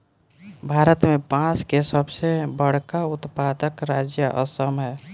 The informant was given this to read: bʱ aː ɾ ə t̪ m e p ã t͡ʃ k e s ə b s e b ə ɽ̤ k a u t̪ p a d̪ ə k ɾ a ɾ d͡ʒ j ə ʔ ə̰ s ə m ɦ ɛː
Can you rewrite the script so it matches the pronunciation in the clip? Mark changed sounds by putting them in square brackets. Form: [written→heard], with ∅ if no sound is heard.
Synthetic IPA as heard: bʱ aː ɾ ə t̪ m e p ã t͡ʃ k e s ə b s e b ə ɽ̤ k a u t̪ p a d̪ ə k ɾ a [ɾ→∅] d͡ʒ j ə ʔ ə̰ s ə m ɦ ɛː

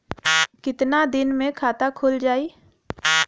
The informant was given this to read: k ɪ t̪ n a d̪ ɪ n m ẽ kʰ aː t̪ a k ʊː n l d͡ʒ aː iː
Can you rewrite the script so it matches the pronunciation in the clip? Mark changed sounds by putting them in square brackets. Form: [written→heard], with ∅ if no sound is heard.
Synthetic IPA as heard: k ɪ t̪ n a d̪ ɪ n m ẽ kʰ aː t̪ a [k→kʰ] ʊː [n→∅] l d͡ʒ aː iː

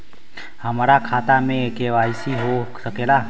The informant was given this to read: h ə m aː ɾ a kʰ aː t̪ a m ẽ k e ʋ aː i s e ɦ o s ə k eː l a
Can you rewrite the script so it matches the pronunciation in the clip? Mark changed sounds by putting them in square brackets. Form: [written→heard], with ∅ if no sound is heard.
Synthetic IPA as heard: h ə m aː ɾ a kʰ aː t̪ a m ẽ k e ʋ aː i s [e→i] ɦ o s ə k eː l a

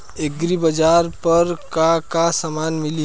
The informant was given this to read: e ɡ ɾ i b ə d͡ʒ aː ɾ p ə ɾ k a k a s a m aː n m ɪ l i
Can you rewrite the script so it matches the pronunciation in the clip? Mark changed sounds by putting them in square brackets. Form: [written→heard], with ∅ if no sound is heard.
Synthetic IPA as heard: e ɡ ɾ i b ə d͡ʒ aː ɾ p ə ɾ k a k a s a m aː n m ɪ l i

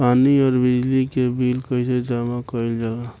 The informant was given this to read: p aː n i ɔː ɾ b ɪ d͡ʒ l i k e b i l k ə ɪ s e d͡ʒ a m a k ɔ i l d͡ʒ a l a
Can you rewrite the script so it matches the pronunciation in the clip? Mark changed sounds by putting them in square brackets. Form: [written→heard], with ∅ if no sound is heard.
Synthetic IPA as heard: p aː n i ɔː ɾ b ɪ d͡ʒ l i k e b i l k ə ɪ s e d͡ʒ a m a k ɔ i l d͡ʒ a l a

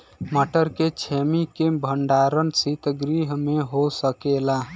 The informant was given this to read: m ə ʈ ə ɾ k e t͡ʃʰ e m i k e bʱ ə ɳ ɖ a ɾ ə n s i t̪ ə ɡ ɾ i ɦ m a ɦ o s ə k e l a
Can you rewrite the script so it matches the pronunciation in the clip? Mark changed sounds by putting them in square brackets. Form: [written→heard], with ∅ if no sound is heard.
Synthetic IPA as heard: m ə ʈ ə ɾ k e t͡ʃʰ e m i k e bʱ ə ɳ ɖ a ɾ ə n s i t̪ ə ɡ ɾ i ɦ m [a→e] ɦ o s ə k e l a

